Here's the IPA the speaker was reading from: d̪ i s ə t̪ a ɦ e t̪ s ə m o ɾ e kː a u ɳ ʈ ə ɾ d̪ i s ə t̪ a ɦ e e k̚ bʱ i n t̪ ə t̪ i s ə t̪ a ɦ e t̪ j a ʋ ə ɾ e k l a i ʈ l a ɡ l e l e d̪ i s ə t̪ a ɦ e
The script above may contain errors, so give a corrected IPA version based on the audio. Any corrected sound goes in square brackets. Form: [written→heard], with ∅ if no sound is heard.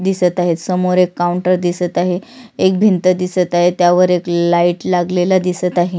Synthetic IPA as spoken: d̪ i s ə t̪ a ɦ e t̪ s ə m o ɾ e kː a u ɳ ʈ ə ɾ d̪ i s ə t̪ a ɦ e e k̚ bʱ i n t̪ ə [t̪→d̪] i s ə t̪ a ɦ e t̪ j a ʋ ə ɾ e k l a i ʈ l a ɡ l e l [e→a] d̪ i s ə t̪ a ɦ e

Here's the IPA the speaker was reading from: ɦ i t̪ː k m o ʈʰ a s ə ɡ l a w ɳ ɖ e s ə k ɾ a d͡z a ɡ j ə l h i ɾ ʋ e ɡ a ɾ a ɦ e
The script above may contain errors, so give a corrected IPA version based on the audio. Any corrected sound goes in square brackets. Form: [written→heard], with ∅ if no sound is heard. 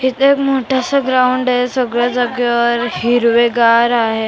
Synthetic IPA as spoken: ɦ i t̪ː k m o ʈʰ a s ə ɡ [l→ɾ] a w ɳ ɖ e s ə [k→ɡ] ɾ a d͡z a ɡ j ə [l→ɾ] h i ɾ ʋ e ɡ a ɾ a ɦ e

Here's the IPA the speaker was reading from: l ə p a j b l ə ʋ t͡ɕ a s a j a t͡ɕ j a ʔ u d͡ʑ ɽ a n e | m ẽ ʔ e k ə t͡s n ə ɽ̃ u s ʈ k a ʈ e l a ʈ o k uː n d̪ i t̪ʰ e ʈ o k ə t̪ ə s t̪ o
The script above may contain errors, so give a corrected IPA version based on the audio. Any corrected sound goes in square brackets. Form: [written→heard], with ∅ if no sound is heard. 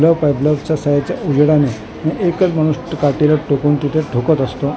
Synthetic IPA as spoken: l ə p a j b l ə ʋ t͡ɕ a s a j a t͡ɕ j a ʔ u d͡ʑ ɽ a n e | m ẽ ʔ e k ə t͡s [n→m] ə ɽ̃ u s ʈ k a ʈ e l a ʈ o k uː n [d̪→t̪] i t̪ʰ e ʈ o k ə t̪ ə s t̪ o

